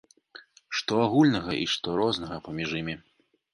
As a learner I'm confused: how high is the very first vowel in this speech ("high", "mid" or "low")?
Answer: mid